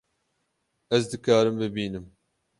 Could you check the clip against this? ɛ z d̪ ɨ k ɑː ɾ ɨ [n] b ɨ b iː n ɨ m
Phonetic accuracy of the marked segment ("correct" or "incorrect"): incorrect